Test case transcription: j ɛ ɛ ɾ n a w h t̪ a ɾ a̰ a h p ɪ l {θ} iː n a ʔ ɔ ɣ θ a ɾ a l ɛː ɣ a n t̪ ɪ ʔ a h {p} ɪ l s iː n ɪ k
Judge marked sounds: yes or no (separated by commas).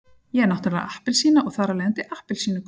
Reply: no, yes